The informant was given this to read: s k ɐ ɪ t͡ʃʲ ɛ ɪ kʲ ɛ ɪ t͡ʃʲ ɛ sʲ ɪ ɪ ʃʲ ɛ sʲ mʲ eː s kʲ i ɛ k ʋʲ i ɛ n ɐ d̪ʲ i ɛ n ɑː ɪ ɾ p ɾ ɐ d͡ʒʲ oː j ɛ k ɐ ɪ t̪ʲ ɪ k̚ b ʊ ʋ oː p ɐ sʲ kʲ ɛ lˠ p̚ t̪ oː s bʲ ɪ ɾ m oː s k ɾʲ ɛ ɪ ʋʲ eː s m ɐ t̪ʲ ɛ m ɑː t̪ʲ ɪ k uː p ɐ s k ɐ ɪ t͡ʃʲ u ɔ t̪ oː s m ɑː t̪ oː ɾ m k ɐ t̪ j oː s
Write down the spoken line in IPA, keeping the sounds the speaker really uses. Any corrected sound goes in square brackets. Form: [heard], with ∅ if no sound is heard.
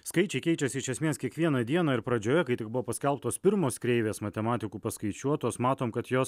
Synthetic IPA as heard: s k ɐ ɪ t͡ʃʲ ɛ ɪ kʲ ɛ ɪ t͡ʃʲ ɛ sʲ ɪ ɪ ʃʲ ɛ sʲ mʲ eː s kʲ i ɛ k ʋʲ i ɛ n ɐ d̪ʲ i ɛ n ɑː ɪ ɾ p ɾ ɐ d͡ʒʲ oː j ɛ k ɐ ɪ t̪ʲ ɪ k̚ b ʊ ʋ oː p ɐ sʲ kʲ ɛ lˠ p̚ t̪ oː s [pʲ] ɪ ɾ m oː s k ɾʲ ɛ ɪ ʋʲ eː s m ɐ t̪ʲ ɛ m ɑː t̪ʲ ɪ k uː p ɐ s k ɐ ɪ t͡ʃʲ u ɔ t̪ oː s m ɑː t̪ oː [∅] m k ɐ t̪ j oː s